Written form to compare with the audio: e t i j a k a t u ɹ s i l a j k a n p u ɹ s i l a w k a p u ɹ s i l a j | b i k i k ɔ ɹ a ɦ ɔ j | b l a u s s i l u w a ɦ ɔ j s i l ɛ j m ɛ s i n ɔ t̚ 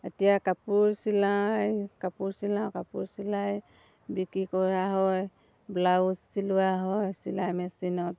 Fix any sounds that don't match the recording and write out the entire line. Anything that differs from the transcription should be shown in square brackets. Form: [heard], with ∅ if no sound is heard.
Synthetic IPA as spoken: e t i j a k a [p] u ɹ s i l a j k a [∅] p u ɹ s i l a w k a p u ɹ s i l a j | b i k i k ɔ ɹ a ɦ ɔ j | b l a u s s i l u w a ɦ ɔ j s i l [a] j m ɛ s i n ɔ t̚